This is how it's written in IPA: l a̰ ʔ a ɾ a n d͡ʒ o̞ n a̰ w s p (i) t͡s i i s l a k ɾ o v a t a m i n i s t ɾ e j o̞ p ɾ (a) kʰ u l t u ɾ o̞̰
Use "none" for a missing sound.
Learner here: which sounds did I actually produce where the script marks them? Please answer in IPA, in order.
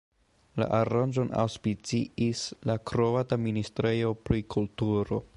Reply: i, i

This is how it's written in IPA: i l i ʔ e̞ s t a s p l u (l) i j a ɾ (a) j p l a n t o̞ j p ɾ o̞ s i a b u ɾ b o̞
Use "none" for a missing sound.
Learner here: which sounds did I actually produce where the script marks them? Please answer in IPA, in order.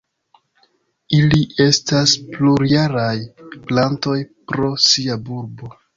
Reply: ɾ, a

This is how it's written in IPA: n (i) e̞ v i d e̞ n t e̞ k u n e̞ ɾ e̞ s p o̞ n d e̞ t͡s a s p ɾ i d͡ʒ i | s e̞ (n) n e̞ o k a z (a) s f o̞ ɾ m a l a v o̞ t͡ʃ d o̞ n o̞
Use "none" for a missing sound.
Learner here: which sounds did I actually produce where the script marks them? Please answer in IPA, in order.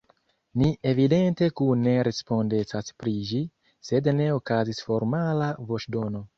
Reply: i, d, i

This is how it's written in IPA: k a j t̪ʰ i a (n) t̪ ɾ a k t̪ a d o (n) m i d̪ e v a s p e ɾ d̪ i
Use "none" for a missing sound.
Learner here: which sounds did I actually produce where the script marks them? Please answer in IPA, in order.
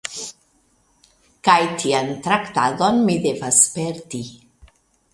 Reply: n, n

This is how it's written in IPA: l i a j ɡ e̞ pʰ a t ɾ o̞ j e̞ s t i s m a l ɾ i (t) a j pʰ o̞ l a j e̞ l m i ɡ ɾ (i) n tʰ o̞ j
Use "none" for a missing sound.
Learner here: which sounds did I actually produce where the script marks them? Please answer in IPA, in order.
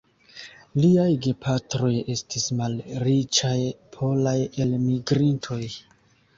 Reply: t͡ʃ, i

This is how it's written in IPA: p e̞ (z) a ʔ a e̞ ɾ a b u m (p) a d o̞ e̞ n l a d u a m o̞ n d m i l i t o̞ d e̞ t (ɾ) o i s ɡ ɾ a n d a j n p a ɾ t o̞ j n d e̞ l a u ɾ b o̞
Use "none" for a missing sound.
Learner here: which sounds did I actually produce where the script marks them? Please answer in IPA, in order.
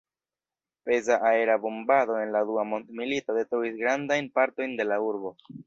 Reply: z, b, ɾ

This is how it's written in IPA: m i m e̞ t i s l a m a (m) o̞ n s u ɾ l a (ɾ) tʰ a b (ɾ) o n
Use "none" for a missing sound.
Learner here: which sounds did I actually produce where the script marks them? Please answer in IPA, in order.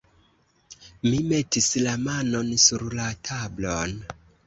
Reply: n, none, l

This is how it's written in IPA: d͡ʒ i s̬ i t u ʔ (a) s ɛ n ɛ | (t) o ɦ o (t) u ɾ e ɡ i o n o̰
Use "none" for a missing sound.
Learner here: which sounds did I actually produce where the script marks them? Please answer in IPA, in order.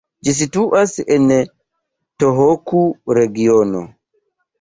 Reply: a, t, k

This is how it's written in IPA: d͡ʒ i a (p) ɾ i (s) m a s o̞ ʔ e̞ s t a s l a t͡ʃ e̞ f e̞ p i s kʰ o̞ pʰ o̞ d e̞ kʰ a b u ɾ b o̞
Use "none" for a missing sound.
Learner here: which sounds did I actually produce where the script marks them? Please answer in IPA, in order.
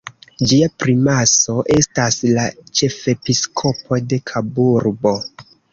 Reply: p, none

